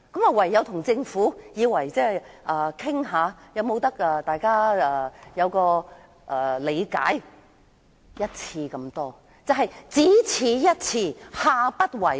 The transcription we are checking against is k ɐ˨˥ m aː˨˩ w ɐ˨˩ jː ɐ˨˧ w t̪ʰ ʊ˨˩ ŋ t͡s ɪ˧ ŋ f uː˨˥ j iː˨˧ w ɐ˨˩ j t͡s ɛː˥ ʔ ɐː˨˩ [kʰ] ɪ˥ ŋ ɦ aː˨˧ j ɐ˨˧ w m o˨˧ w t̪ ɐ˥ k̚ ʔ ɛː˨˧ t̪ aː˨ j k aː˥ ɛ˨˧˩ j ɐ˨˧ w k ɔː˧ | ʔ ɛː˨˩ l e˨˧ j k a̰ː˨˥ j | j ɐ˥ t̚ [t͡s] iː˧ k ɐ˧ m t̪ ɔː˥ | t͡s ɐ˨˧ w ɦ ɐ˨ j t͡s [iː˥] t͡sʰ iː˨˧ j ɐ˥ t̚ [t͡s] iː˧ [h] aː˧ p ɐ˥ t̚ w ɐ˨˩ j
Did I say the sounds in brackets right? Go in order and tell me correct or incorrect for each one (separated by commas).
correct, incorrect, incorrect, incorrect, correct